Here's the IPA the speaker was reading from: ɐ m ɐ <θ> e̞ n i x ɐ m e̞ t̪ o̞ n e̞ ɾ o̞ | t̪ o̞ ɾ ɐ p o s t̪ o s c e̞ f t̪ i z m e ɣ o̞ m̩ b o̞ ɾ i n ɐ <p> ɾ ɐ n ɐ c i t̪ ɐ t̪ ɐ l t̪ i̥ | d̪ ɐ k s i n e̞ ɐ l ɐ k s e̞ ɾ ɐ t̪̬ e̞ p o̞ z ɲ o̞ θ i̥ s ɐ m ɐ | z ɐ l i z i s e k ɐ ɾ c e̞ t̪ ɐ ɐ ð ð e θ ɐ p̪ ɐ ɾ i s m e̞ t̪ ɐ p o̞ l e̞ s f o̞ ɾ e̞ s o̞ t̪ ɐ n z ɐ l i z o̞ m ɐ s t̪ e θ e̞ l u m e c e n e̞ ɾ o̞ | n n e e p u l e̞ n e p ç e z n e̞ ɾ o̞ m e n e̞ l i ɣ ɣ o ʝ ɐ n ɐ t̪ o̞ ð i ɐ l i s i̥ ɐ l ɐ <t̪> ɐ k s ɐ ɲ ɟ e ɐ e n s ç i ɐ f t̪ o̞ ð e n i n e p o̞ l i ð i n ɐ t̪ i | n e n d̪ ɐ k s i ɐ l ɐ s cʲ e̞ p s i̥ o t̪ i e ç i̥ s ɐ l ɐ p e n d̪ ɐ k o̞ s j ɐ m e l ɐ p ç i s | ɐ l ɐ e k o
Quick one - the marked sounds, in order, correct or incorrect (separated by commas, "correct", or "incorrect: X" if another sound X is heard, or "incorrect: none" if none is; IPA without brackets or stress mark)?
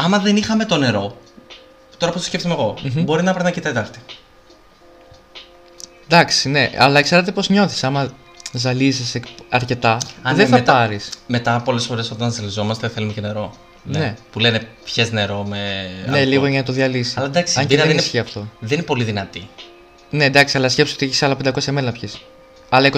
incorrect: ð, correct, incorrect: d̪